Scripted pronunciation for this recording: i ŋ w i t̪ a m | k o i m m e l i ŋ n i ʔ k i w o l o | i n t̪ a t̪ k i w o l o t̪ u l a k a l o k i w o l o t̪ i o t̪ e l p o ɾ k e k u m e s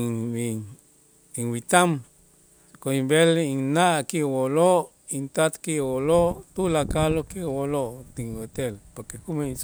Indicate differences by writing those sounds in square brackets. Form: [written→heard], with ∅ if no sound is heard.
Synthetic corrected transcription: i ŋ w i t̪ a m | k o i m [m→b] e l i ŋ n [i→a] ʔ k i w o l o | i n t̪ a t̪ k i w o l o t̪ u l a k a l o k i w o l o t̪ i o t̪ e l p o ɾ k e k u m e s